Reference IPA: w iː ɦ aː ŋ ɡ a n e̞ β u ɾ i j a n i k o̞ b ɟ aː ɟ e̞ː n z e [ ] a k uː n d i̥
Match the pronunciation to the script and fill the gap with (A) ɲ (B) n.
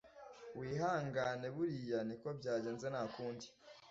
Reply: B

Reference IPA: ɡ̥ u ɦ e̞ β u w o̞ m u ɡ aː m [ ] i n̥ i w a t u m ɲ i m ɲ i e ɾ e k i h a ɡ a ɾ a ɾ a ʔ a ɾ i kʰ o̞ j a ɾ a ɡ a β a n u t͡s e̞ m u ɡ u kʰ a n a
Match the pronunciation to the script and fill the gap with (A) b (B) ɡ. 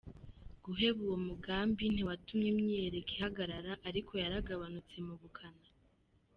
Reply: A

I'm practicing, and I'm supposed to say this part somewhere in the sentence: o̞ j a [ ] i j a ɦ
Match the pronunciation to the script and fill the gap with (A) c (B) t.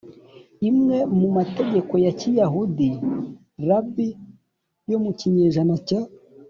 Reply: A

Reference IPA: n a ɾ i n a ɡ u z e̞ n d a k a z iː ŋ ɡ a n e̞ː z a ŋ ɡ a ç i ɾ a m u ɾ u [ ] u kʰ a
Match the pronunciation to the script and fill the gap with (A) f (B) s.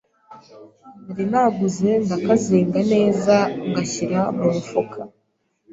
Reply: A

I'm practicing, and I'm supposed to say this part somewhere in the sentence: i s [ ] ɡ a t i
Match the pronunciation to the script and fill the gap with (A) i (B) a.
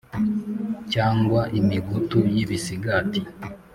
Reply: A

